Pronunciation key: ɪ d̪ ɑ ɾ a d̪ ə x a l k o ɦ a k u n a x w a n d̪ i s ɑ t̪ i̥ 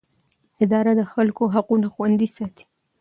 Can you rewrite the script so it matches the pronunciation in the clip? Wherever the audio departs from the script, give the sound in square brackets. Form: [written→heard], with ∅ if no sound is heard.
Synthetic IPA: ɪ d̪ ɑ ɾ a d̪ ə x a l k o ɦ a [k→q] u n a x w a n d̪ i s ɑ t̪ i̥